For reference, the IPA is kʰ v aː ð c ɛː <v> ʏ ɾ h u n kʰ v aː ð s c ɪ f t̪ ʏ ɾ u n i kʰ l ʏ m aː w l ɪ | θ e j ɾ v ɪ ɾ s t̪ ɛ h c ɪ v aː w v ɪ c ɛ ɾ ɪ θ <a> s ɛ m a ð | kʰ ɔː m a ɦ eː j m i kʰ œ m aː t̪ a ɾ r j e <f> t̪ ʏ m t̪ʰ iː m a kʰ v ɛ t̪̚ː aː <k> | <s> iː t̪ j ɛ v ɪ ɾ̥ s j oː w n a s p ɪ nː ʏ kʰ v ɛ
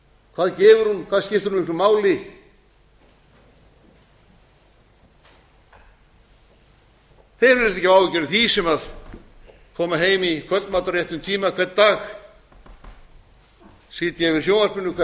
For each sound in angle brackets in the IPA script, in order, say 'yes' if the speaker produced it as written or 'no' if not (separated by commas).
yes, no, no, no, yes